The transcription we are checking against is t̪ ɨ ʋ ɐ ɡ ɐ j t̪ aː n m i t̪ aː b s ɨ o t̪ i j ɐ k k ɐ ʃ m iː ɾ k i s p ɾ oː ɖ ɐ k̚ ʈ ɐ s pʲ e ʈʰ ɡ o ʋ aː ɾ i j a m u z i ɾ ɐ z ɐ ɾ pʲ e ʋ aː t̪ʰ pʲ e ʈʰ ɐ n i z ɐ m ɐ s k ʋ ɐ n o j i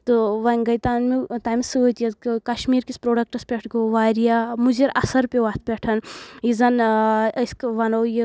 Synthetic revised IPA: t̪ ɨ ʋ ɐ ɡ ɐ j t̪ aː n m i t̪ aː m s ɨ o t̪ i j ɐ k k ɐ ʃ m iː ɾ k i s p ɾ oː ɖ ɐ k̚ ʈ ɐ s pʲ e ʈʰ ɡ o ʋ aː ɾ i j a m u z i ɾ ɐ s ɐ ɾ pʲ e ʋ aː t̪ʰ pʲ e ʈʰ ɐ n i z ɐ n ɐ s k ʋ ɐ n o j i